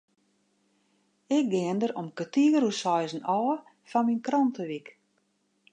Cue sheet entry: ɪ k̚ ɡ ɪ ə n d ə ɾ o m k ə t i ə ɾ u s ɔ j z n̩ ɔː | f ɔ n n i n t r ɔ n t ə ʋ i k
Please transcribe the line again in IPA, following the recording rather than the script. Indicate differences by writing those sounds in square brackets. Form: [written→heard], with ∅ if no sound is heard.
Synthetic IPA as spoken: ɪ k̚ ɡ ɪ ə n d ə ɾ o m k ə t i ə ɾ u s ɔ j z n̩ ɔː | f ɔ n [n→m] i n [t→k] r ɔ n t ə ʋ i k